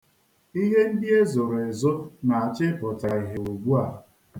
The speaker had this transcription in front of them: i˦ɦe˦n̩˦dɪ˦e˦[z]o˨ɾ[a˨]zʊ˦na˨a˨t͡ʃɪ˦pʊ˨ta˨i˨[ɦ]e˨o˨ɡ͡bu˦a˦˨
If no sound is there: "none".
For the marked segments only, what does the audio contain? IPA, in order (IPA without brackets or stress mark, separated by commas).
z, e˨, ɦ